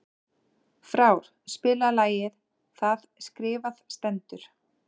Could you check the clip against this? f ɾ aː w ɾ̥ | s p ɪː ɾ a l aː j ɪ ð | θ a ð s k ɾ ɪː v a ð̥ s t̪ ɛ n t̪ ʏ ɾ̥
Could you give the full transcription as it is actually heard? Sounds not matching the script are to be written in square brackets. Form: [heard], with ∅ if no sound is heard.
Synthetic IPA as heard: f ɾ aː w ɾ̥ | s p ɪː [l] a l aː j ɪ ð | θ a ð s k ɾ ɪː v a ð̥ s t̪ ɛ n t̪ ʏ ɾ̥